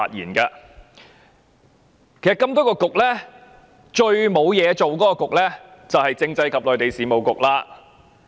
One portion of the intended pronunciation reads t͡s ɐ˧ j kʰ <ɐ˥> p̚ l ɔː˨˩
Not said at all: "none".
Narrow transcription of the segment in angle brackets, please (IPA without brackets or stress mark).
ɐ˨